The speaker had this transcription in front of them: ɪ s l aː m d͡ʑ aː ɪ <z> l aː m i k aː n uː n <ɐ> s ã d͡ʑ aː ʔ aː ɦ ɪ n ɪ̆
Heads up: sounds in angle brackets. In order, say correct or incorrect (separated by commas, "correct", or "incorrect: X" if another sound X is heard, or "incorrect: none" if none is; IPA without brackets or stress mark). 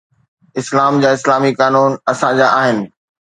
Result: incorrect: s, correct